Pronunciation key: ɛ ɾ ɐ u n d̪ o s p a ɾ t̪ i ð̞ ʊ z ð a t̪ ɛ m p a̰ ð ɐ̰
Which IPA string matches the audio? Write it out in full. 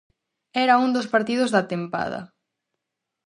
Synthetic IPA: ɛ ɾ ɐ u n d̪ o s p a ɾ t̪ i ð̞ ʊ z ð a t̪ e m p a̰ ð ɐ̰